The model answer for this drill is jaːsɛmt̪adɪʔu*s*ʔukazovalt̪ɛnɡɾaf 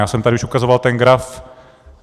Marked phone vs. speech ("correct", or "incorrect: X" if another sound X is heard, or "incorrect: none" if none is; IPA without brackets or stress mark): incorrect: ʃ